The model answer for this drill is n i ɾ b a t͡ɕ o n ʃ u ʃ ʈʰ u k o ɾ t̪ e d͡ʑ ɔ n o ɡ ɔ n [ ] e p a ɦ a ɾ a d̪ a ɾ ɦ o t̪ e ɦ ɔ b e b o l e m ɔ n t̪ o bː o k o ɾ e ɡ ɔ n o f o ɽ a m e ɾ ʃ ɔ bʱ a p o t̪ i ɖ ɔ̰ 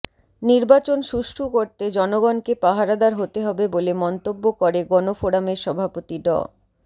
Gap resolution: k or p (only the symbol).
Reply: k